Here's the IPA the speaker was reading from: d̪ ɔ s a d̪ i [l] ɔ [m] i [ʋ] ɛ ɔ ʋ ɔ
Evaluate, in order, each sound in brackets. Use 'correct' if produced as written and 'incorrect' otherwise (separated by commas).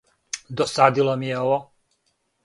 correct, correct, incorrect